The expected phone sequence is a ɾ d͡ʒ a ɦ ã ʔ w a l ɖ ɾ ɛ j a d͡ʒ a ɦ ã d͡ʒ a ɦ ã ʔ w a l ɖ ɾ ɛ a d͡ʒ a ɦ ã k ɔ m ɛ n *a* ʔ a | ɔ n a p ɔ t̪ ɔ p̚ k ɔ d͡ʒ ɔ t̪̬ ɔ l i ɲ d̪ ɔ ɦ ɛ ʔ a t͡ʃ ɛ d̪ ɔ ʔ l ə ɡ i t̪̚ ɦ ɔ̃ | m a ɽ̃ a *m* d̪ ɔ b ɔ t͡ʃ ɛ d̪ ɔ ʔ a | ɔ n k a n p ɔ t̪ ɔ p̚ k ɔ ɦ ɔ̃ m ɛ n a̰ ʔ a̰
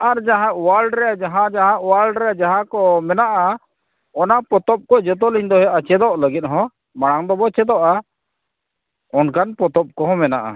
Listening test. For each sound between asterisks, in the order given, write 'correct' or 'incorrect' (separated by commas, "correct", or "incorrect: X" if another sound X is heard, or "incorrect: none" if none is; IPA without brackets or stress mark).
correct, incorrect: ŋ